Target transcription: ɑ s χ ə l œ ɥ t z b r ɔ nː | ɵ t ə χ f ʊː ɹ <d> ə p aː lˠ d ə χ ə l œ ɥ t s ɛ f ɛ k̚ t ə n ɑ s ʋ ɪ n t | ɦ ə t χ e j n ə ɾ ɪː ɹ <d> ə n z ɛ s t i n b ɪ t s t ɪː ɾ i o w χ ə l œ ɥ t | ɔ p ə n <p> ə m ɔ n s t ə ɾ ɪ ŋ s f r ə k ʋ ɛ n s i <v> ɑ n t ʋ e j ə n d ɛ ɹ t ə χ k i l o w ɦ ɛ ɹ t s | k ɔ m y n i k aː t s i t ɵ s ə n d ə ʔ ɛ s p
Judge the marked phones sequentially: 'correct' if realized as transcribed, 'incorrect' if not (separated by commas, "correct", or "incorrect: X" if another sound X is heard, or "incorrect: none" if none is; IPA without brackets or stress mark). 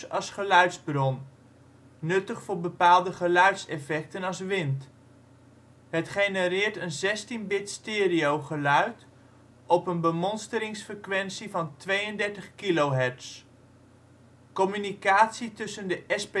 incorrect: b, incorrect: t, incorrect: b, correct